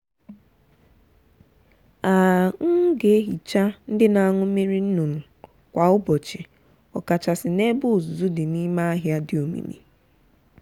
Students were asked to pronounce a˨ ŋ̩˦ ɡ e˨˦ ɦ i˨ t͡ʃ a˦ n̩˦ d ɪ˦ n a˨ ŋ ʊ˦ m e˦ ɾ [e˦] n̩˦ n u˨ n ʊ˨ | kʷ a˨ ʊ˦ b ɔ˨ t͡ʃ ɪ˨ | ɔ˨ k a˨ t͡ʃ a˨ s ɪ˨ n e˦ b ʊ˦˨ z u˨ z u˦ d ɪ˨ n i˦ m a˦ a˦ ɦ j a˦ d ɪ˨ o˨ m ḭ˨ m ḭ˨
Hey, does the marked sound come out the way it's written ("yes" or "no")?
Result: no